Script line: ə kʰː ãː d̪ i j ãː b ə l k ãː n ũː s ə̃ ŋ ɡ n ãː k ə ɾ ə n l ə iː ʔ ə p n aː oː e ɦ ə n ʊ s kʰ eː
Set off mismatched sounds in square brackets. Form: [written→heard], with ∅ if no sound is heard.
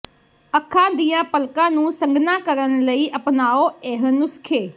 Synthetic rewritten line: ə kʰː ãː d̪ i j ãː [b→p] ə l k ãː n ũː s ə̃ ŋ ɡ n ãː k ə ɾ ə n l ə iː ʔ ə p n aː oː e ɦ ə n ʊ s kʰ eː